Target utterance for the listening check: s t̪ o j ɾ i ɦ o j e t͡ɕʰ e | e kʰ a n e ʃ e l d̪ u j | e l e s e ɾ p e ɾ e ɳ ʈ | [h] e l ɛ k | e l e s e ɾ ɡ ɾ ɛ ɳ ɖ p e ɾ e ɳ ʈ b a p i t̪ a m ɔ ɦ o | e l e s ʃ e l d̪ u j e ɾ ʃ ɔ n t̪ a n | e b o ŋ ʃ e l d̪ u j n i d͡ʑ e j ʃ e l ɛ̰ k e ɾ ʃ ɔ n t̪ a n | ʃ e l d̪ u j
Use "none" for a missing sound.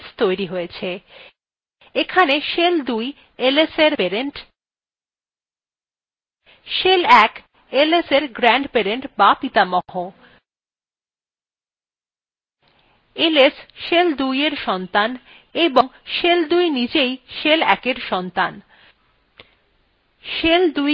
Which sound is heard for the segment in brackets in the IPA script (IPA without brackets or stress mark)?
ʃ